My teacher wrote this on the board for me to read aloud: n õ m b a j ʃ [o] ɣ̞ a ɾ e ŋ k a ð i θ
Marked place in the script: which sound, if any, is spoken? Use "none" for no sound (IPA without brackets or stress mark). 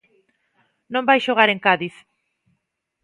o